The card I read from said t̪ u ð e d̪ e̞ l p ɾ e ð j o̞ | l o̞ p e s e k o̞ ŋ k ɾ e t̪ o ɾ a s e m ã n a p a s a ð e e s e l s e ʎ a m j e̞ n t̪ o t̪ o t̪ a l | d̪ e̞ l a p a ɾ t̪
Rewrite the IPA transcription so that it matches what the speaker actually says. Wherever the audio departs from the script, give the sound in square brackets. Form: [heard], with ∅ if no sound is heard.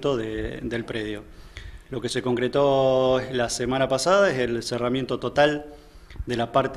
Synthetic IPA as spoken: t̪ [o] ð e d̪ e̞ l p ɾ e ð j o̞ | l o̞ [k] e s e k o̞ ŋ k ɾ e t̪ o [l] a s e m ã n a p a s a ð [a] e s e l s e [r] a m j e̞ n t̪ o t̪ o t̪ a l | d̪ e̞ l a p a ɾ t̪